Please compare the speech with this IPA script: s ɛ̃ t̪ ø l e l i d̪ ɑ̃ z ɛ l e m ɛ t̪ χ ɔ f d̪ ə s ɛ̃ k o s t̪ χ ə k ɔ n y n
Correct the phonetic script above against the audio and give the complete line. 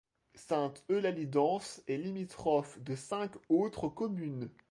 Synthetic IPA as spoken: s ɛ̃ t̪ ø l a l i d̪ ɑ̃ s ɛ l i m i t̪ χ ɔ f d̪ ə s ɛ̃ k o t̪ χ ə k ɔ m y n